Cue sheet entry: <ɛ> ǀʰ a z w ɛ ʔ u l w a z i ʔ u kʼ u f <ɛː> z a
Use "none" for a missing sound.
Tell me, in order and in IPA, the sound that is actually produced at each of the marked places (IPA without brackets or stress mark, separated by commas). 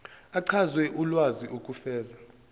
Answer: a, ɛː